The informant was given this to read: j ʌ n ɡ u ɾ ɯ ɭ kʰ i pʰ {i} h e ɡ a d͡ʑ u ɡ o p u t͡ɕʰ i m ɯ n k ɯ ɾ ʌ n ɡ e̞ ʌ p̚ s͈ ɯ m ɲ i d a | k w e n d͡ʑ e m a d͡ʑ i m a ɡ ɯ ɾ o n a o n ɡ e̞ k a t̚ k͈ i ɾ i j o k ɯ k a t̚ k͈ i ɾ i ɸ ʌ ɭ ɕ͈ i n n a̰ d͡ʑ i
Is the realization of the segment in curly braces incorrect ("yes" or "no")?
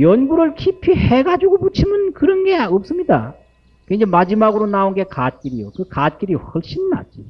no